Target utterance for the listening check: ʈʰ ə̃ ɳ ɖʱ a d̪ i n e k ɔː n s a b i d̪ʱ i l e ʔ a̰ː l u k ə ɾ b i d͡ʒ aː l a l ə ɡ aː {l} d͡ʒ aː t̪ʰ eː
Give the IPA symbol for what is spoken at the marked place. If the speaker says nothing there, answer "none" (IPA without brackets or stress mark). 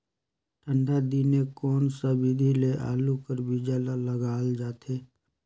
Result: l